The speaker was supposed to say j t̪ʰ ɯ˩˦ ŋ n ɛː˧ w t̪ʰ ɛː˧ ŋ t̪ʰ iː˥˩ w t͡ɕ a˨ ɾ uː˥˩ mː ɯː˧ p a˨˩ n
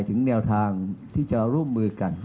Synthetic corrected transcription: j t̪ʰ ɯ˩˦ ŋ n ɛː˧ w t̪ʰ aː˧ ŋ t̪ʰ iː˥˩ t͡ɕ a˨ ɾ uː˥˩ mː ɯː˧ k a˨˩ n